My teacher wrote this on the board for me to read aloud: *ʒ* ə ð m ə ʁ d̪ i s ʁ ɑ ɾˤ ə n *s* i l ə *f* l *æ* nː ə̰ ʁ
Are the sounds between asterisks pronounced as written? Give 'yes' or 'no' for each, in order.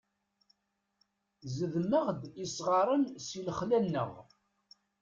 no, yes, no, yes

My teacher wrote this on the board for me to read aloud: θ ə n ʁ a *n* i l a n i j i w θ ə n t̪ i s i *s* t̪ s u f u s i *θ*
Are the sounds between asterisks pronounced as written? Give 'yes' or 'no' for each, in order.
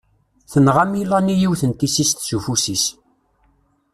no, yes, no

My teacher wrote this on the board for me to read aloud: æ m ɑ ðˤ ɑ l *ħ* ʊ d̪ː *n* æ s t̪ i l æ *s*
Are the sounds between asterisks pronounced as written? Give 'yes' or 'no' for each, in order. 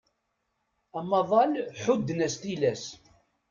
yes, yes, yes

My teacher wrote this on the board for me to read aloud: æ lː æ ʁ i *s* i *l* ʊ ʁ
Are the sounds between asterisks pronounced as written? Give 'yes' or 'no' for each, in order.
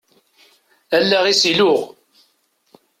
yes, yes

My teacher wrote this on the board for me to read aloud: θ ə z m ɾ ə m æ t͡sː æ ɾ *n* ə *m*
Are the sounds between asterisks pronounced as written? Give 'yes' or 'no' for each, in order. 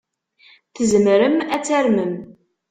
no, yes

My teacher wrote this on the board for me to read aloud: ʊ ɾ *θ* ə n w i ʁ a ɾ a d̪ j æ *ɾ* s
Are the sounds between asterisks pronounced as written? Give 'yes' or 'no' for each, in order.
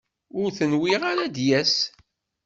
yes, no

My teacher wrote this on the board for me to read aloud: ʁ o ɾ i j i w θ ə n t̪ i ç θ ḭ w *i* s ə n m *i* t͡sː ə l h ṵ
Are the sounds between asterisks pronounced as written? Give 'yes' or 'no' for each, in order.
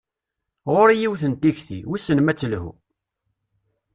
yes, no

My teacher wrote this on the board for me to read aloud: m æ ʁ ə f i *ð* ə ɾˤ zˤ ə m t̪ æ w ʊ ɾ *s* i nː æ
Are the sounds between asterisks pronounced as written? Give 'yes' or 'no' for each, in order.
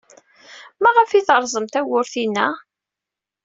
no, no

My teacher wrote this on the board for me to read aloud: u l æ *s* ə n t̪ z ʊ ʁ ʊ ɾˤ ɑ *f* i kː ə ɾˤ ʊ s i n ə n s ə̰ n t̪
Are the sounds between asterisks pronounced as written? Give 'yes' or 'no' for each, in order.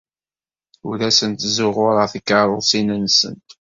yes, no

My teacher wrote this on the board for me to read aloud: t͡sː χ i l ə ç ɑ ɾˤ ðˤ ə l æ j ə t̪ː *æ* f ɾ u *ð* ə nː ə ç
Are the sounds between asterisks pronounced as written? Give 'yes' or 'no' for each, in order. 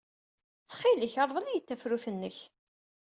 yes, no

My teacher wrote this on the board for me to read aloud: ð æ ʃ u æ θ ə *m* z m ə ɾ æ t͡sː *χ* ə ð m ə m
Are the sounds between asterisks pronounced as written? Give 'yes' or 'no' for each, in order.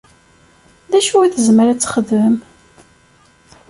no, yes

